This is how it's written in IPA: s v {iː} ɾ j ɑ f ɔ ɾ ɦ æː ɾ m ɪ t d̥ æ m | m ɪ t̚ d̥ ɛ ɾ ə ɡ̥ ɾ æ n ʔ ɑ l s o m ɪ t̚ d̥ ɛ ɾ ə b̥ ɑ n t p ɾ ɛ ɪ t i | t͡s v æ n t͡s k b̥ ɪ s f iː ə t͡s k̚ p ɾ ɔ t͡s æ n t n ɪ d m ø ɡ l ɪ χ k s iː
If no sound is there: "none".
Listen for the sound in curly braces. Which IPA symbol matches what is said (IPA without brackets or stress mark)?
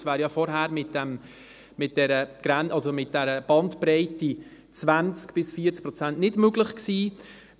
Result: æː